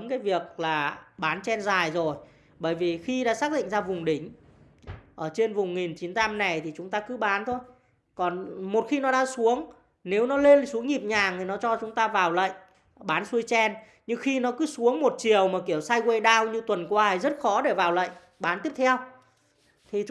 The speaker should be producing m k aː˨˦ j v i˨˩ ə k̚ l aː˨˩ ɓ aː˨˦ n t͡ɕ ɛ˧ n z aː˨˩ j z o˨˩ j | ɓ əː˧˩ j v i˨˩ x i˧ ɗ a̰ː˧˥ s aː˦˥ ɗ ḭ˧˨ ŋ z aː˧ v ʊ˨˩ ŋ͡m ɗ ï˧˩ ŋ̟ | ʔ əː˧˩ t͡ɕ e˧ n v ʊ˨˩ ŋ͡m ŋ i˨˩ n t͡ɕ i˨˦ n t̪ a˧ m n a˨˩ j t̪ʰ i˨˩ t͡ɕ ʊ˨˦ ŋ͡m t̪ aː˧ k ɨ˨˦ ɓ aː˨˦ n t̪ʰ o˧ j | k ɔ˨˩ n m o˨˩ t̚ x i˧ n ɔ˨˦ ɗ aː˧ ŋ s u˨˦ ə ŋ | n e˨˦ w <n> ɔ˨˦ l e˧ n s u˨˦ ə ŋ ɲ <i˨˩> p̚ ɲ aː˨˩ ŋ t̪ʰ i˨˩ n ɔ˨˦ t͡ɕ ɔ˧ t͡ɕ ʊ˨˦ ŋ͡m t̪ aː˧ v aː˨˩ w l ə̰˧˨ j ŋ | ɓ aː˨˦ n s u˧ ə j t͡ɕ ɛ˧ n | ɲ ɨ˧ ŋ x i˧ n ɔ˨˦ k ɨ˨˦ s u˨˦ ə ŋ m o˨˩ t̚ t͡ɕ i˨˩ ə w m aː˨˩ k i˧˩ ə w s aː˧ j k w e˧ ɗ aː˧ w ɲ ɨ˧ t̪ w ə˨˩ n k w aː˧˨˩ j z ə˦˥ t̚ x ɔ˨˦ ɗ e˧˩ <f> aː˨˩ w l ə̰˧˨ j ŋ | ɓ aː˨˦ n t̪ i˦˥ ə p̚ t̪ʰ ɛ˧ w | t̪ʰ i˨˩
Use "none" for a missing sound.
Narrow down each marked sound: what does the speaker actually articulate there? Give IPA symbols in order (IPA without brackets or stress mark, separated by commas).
n, i˨˩, v